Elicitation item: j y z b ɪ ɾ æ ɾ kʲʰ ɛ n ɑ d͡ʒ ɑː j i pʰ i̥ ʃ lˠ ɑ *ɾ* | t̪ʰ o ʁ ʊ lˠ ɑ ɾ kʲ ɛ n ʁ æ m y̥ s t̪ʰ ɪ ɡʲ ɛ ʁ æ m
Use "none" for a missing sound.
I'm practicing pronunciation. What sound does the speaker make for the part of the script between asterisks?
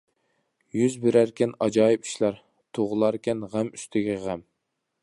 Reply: ɾ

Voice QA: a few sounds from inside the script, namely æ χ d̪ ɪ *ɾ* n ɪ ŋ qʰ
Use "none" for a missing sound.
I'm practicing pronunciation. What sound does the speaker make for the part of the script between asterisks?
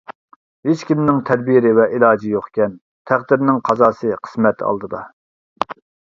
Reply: ɾ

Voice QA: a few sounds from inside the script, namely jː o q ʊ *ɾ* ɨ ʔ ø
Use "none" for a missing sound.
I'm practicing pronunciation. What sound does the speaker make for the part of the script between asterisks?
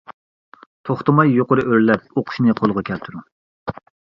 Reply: ɾ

